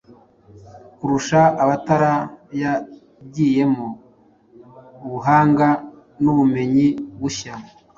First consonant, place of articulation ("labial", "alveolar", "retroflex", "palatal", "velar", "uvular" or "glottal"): velar